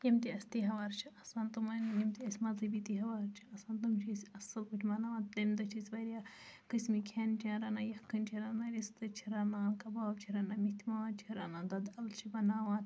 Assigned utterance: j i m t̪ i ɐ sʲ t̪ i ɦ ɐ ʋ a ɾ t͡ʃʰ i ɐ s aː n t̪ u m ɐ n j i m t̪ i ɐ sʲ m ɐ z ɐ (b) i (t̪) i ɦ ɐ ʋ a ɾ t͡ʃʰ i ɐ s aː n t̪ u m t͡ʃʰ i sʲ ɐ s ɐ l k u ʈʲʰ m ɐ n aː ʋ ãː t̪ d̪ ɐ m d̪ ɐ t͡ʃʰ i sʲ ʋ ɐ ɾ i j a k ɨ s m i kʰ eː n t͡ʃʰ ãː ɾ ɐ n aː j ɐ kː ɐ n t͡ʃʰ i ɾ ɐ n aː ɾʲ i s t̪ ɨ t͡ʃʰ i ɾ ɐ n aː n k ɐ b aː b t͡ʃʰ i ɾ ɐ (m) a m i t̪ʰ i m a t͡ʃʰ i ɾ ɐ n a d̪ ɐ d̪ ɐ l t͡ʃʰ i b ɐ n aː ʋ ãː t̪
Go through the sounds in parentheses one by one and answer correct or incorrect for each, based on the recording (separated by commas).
correct, correct, incorrect